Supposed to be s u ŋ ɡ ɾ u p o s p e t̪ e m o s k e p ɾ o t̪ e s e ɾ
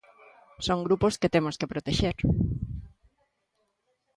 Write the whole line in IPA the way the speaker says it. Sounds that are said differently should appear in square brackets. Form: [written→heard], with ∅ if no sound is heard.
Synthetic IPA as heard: s [u→o] ŋ ɡ ɾ u p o s [p→k] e t̪ e m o s k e p ɾ o t̪ e [s→ʃ] e ɾ